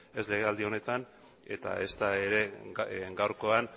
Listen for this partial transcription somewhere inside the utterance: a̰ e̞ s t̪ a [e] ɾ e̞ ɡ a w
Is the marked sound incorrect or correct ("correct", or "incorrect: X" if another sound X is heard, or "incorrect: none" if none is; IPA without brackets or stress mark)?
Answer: correct